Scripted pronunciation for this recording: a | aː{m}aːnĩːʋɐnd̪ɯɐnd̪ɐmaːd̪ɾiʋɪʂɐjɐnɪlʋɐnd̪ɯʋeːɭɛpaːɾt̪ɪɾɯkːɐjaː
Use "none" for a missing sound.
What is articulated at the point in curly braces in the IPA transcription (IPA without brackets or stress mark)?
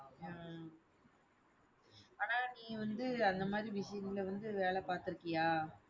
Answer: n